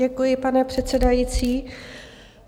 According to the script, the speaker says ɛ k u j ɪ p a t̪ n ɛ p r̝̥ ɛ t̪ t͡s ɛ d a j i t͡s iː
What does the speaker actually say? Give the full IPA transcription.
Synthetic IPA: ɛ k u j ɪ p a n ɛ p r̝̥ ɛ t̪ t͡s ɛ d a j i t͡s iː